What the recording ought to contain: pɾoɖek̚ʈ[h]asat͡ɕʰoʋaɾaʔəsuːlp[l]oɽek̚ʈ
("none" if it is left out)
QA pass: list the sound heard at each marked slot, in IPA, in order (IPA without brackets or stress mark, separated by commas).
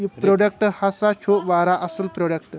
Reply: h, ɾ